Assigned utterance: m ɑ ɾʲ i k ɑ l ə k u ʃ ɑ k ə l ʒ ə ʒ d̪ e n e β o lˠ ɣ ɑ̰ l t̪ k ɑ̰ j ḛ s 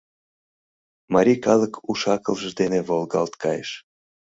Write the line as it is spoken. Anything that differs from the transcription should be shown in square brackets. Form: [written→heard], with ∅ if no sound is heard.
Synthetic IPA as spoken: m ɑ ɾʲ i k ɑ l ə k u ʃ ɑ k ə l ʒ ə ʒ d̪ e n e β o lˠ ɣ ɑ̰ l t̪ k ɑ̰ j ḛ [s→ʃ]